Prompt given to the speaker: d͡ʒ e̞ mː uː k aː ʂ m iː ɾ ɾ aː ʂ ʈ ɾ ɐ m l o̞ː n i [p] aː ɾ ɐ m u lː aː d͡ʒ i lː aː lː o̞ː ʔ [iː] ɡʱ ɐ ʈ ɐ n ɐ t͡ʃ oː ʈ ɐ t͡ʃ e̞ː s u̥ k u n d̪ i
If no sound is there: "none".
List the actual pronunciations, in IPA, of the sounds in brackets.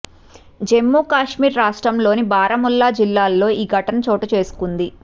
b, iː

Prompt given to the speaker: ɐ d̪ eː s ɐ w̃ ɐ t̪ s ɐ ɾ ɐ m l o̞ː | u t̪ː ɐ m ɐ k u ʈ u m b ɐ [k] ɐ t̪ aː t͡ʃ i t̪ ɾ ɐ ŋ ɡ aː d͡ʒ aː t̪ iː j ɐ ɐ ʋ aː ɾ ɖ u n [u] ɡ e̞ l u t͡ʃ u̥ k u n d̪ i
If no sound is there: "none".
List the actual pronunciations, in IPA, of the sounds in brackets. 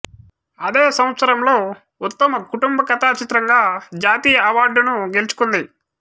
k, u

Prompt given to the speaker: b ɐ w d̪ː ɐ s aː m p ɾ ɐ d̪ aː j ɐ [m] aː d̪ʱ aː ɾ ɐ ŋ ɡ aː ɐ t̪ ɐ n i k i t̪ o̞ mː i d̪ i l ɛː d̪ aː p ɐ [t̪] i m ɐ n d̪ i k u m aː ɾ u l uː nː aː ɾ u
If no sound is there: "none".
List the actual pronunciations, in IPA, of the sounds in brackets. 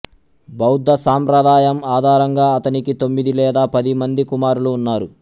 m, d̪

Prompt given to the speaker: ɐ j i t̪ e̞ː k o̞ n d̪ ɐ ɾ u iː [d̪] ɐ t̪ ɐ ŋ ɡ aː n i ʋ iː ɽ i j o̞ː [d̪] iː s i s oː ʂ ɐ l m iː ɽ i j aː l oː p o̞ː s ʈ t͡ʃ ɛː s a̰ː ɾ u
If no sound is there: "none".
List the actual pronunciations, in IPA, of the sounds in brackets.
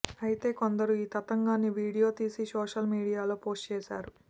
t̪, t̪

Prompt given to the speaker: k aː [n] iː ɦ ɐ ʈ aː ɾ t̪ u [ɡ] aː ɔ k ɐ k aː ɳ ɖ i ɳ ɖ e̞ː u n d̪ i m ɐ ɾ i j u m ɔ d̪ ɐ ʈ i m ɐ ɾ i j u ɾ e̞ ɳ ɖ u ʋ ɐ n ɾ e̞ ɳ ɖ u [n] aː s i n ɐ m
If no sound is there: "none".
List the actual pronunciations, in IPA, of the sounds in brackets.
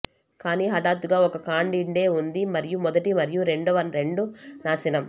n, ɡ, n

